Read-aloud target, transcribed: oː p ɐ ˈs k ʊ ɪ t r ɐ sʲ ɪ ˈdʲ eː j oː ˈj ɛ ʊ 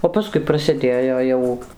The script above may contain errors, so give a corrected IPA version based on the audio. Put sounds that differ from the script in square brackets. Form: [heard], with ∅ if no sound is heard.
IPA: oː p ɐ ˈs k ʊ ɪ [p] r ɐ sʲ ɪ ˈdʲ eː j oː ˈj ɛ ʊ